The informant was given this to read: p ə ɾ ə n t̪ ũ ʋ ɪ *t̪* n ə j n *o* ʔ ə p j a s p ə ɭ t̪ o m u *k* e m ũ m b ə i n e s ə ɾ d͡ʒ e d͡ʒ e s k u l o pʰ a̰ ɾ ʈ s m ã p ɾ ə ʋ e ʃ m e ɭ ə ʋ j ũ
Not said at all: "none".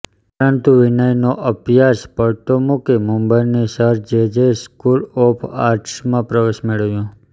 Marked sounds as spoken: none, o, k

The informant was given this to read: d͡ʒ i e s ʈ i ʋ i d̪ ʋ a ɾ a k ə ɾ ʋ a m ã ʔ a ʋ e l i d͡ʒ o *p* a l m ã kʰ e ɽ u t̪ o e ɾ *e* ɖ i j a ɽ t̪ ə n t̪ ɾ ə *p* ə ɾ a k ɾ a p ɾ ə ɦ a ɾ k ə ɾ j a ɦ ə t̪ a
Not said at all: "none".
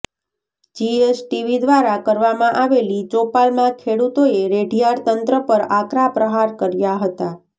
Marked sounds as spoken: p, e, p

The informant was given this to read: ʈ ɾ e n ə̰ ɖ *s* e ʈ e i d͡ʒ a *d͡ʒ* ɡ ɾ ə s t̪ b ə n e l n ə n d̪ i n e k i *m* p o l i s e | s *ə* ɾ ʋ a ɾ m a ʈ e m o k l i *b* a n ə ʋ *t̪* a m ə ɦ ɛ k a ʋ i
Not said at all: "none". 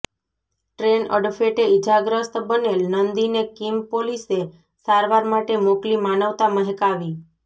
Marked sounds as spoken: f, none, m, a, m, t̪

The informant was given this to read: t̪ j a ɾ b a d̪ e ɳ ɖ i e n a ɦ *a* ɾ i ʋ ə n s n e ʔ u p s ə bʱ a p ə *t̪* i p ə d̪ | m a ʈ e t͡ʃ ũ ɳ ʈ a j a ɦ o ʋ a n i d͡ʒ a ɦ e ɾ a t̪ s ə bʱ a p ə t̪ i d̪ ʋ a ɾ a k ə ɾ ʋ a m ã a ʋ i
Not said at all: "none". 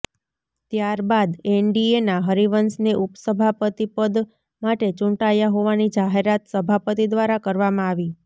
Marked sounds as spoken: ə, t̪

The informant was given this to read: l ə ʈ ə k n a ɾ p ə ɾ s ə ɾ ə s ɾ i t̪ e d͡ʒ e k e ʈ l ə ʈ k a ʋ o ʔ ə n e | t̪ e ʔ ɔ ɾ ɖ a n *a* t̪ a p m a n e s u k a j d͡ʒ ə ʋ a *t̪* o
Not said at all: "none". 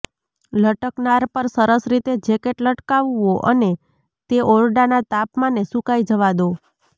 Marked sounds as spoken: a, d̪

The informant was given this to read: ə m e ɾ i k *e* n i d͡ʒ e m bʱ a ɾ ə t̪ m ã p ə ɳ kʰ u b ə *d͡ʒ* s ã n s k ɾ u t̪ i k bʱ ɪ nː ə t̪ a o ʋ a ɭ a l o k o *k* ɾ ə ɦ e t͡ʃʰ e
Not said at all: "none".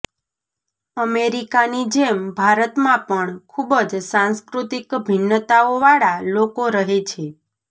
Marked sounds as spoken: a, d͡ʒ, none

